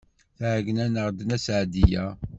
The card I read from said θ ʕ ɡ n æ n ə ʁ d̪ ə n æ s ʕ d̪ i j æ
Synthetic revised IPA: θ ʕ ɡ n æ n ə ʁ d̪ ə n æ s ʕ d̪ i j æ